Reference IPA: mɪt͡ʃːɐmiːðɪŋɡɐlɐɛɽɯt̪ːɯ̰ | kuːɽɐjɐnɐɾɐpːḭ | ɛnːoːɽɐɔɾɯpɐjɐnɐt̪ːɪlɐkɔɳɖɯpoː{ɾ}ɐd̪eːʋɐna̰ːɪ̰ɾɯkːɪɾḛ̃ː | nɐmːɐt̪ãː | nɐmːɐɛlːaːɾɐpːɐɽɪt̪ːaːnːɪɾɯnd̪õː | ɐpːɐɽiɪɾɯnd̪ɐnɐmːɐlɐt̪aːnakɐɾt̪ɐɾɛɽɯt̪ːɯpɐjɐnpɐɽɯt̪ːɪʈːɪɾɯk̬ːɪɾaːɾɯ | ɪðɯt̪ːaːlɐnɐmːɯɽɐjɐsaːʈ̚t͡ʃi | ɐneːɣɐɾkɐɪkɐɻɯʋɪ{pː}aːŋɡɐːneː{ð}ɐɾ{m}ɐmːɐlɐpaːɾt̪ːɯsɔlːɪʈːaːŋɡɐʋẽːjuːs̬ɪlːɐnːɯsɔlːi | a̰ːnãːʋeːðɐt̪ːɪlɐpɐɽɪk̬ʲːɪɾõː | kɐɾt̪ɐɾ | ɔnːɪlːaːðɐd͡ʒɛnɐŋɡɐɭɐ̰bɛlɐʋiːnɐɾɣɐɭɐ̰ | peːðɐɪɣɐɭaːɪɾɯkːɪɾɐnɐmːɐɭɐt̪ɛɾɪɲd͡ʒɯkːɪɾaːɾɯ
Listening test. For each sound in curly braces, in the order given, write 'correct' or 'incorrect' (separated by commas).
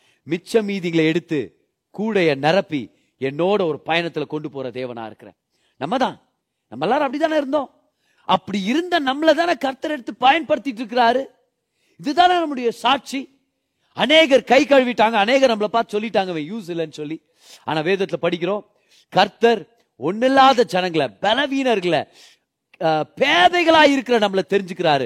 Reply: correct, incorrect, incorrect, incorrect